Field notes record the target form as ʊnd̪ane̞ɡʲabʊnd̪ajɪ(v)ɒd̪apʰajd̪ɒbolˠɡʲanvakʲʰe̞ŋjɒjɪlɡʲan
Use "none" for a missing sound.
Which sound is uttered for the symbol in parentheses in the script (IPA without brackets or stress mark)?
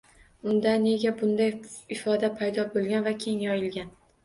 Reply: f